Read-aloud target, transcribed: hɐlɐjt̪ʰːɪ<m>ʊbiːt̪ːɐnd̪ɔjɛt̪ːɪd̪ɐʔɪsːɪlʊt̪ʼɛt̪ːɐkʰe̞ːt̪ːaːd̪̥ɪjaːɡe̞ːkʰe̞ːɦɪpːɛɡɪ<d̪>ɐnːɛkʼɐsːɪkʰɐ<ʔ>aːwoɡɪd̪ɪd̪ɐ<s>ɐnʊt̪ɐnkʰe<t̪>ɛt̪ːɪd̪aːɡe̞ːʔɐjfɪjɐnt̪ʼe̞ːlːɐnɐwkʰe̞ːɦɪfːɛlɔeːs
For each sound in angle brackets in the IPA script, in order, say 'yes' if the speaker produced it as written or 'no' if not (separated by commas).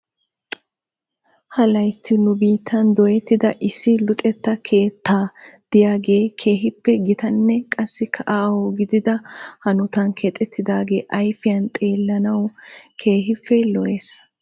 no, no, yes, no, no